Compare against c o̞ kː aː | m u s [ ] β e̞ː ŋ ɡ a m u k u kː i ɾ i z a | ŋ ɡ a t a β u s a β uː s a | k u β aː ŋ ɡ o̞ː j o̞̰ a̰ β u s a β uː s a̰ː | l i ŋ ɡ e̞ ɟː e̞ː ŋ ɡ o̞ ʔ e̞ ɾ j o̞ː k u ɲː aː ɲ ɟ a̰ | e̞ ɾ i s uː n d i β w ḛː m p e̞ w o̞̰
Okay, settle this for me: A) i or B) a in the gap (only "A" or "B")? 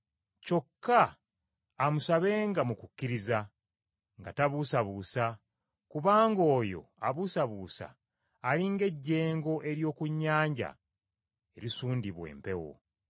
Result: B